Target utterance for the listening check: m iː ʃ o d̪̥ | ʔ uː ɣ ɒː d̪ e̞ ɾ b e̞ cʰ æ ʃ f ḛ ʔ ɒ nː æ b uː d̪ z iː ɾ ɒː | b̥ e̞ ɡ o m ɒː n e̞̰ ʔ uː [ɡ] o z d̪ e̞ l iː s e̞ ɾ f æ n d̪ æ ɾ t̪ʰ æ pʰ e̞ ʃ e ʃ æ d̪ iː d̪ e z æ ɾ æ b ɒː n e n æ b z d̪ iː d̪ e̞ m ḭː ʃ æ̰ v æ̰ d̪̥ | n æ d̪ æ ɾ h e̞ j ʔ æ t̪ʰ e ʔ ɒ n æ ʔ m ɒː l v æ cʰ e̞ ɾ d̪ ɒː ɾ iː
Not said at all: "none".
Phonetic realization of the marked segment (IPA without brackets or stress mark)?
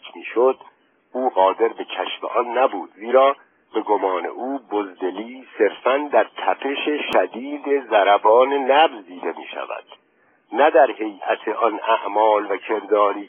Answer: b